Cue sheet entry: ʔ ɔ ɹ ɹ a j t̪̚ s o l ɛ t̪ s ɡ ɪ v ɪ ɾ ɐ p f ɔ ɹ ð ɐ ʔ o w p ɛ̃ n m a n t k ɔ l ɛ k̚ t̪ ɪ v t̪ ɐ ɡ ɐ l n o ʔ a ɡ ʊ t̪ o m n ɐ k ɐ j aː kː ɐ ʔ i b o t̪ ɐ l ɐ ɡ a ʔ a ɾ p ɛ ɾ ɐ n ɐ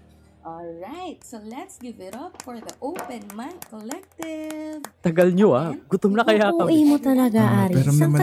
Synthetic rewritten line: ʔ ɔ l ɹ a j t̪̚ s o l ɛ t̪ s ɡ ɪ v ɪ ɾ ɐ p f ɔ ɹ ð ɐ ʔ o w p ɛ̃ n m a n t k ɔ l ɛ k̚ t̪ ɪ v t̪ ɐ ɡ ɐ l ɲ o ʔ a ɡ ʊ t̪ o m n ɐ k ɐ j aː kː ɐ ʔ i m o t̪ ɐ l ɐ ɡ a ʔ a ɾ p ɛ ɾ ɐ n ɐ